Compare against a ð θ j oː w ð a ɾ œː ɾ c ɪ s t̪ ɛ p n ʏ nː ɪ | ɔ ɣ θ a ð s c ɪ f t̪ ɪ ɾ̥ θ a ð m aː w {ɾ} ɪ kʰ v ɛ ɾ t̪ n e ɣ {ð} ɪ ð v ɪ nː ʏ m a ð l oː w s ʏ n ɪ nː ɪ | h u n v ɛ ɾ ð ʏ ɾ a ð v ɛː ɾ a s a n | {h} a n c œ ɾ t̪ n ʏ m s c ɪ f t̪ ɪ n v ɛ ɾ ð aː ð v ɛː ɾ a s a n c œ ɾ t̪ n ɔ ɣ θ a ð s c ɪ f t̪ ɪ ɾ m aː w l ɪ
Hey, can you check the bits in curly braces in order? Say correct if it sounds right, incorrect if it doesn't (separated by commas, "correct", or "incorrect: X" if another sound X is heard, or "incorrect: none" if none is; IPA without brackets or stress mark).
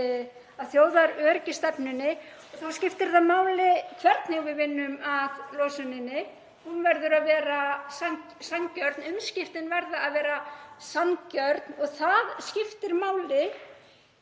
incorrect: l, incorrect: v, incorrect: s